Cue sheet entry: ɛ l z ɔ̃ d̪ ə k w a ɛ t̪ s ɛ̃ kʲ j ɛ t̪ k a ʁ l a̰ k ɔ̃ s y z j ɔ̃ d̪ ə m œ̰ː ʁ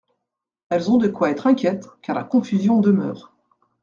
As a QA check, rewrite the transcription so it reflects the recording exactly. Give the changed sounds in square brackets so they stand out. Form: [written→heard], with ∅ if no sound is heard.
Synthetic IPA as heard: ɛ l z ɔ̃ d̪ ə k w a ɛ t̪ [s→χ] ɛ̃ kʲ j ɛ t̪ k a ʁ l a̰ k ɔ̃ [s→f] y z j ɔ̃ d̪ ə m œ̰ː ʁ